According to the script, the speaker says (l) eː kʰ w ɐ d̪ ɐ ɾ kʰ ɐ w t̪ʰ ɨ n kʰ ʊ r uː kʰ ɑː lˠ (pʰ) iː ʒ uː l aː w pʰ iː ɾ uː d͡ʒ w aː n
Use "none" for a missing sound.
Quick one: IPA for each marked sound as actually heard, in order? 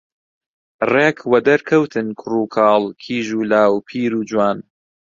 r, kʰ

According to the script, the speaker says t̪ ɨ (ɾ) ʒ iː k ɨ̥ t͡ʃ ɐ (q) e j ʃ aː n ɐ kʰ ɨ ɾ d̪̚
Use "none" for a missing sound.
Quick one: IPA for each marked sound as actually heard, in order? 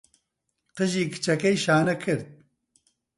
none, k

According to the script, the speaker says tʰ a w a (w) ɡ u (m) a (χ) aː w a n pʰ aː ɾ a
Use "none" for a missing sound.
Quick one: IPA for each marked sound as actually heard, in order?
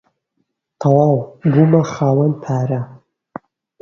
w, m, χ

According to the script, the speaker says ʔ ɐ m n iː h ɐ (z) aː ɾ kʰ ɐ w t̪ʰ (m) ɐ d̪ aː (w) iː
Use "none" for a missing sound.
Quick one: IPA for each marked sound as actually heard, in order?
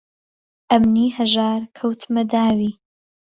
ʒ, m, w

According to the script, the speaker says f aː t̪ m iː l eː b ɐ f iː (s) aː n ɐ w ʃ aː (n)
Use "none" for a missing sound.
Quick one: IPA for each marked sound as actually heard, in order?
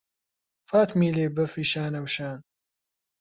ʃ, n

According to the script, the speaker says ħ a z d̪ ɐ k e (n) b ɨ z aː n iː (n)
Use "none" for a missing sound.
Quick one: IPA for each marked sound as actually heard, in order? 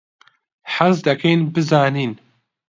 n, n

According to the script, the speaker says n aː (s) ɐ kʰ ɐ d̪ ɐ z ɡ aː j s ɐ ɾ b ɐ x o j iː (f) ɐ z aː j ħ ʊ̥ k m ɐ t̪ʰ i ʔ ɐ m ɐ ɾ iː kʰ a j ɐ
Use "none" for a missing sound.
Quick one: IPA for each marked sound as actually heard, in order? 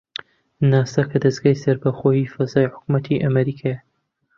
s, f

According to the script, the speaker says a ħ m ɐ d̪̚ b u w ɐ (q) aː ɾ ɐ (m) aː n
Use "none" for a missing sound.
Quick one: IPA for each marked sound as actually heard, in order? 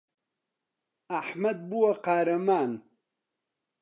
q, m

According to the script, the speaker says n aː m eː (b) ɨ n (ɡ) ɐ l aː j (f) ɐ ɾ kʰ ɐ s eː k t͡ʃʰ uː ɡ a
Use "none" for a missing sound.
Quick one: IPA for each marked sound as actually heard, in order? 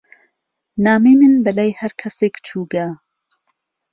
m, b, h

